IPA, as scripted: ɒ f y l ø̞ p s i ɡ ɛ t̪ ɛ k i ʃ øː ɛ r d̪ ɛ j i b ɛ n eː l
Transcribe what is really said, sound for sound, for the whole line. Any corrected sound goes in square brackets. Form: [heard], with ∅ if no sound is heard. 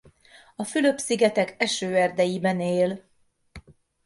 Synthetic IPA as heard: ɒ f y l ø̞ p s i ɡ ɛ t̪ ɛ k [ɛ] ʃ øː ɛ r d̪ ɛ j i b ɛ n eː l